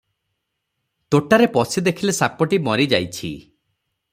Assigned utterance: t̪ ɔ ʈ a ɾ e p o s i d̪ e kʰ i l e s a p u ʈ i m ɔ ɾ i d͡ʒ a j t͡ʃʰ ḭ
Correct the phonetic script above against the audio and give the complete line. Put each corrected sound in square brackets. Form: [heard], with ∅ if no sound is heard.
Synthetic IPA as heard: t̪ [o] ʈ a ɾ e p [ɔ] s i d̪ e kʰ i l e s a p [ɔ] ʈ i m ɔ ɾ i d͡ʒ a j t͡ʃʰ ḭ